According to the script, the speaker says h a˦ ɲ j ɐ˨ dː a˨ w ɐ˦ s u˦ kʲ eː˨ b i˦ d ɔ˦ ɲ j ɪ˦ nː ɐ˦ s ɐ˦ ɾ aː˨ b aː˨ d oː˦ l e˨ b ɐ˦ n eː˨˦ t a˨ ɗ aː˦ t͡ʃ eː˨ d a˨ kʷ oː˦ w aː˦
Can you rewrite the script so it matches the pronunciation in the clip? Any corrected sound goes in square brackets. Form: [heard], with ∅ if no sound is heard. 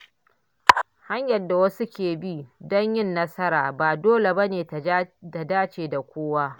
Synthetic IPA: h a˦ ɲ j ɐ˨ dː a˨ w ɐ˦ s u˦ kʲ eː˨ b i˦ d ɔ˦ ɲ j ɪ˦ nː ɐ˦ s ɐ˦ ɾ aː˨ b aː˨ d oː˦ l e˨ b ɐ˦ n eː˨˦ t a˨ [d] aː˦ t͡ʃ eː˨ d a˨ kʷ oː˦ w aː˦